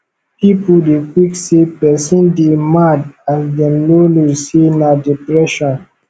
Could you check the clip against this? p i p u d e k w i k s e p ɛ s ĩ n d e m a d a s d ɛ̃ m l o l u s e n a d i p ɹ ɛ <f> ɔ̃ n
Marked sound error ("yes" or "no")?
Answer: yes